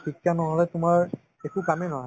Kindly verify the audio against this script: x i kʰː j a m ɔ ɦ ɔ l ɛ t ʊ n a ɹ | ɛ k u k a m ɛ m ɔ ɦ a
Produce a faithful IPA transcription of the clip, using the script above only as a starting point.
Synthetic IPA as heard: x i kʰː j a n ɔ ɦ ɔ l ɛ t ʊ m a ɹ | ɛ k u k a m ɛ n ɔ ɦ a

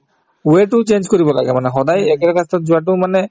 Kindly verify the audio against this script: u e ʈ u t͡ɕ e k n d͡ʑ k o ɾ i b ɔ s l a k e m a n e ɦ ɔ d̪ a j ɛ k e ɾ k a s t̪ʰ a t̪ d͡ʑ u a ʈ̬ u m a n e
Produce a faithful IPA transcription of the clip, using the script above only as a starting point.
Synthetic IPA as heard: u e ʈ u t͡ɕ e n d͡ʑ k o ɾ i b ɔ l a ɡ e m a n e ɦ ɔ d̪ a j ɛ k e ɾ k a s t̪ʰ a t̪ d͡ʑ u a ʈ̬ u m a n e

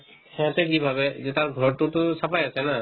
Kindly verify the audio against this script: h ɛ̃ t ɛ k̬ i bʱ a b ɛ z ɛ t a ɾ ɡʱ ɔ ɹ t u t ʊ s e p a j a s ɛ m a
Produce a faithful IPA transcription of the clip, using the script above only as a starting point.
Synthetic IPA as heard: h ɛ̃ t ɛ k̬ i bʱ a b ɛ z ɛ t a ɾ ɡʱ ɔ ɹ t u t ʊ s a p a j a s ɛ n a

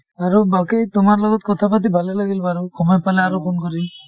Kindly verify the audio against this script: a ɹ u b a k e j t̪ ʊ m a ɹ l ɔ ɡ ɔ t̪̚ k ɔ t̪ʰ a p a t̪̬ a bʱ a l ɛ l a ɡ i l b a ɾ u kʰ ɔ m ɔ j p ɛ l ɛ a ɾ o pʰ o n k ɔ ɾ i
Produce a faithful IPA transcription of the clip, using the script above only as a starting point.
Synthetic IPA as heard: a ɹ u b a k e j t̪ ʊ m a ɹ l ɔ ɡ ɔ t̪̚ k ɔ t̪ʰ a p a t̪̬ i bʱ a l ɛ l a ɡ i l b a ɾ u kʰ ɔ m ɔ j p a l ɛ a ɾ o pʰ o n k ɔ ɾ i

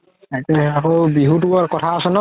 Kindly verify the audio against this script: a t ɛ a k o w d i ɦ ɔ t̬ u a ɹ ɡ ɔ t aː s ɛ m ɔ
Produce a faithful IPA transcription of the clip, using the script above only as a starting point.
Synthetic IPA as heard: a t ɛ a k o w b i ɦ u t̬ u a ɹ k ɔ tʰ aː s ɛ n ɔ

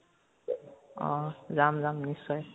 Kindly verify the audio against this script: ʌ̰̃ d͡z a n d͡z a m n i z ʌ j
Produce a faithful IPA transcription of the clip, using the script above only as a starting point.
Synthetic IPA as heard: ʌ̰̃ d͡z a m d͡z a m n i s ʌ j

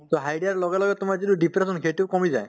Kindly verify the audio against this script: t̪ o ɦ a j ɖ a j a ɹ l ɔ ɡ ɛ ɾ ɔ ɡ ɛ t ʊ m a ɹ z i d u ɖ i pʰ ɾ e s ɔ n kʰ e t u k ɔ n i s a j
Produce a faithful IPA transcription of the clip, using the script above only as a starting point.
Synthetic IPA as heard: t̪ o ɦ a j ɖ i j a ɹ l ɔ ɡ ɛ l ɔ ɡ ɛ t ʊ m a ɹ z i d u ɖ i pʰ ɾ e s ɔ n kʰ e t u k ɔ m i z a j

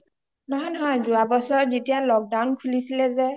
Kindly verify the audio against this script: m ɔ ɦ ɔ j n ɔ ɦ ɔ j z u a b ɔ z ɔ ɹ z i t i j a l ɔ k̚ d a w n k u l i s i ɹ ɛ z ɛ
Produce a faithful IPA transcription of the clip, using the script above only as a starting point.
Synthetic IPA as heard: n ɔ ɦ ɔ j n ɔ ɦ ɔ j z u a b ɔ s ɔ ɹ z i t i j a l ɔ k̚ d a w n kʰ u l i s i l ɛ z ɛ

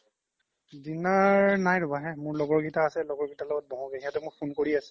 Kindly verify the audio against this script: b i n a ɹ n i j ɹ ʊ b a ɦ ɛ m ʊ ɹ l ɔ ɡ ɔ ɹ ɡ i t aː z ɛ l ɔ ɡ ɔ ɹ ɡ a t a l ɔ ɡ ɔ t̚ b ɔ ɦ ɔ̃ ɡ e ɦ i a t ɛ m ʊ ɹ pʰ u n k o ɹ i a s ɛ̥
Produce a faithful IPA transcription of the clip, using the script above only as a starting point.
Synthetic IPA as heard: d i n a ɹ n a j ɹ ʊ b a ɦ ɛ m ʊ ɹ l ɔ ɡ ɔ ɹ ɡ i t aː s ɛ l ɔ ɡ ɔ ɹ ɡ i t a l ɔ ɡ ɔ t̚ b ɔ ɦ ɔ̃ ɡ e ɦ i a t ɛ m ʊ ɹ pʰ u n k o ɹ i a s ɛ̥

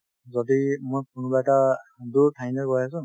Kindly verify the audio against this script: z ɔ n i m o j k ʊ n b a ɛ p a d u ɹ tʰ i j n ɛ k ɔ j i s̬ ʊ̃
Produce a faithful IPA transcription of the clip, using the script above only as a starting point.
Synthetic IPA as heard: z ɔ d i m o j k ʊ n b a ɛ t a d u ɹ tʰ a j n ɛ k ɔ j a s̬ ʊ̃

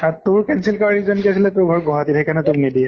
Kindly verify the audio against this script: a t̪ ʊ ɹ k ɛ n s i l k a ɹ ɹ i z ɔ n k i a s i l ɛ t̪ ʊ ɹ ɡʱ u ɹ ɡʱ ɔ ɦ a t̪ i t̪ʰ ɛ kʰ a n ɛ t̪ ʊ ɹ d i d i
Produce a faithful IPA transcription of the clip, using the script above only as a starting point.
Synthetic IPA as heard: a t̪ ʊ ɹ k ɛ n s i l k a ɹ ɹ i z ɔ n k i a s i l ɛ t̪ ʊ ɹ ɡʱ ɔ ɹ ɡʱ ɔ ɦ a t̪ i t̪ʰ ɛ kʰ a n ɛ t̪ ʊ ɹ n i d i

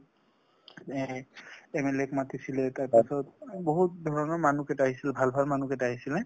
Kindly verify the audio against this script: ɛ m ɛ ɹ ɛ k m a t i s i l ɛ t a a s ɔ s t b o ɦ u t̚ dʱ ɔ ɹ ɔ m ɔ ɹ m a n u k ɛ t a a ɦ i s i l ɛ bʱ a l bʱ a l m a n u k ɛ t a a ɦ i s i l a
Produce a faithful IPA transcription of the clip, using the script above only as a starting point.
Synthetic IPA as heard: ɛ m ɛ l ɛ k m a t i s i l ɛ t a a s ɔ t b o ɦ u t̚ dʱ ɔ ɹ ɔ n ɔ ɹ m a n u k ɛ t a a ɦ i s i l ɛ bʱ a l bʱ a l m a n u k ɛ t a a ɦ i s i l ɛ

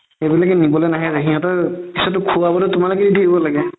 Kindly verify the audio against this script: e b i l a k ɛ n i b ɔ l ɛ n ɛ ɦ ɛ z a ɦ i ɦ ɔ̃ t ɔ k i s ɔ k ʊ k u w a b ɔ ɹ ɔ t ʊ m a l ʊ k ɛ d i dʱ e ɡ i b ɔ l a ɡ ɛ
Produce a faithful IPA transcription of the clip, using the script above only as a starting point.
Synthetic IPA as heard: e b i l a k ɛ n i b ɔ l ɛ n a ɦ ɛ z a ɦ i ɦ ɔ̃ t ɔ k i s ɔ t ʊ kʰ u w a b ɔ l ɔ t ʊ m a l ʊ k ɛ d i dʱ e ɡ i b ɔ l a ɡ ɛ

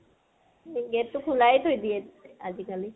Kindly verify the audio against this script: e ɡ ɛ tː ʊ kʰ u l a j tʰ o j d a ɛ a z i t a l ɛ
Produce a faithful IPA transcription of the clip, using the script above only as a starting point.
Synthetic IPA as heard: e ɡ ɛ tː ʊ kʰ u l a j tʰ o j d i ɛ a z i k a l i

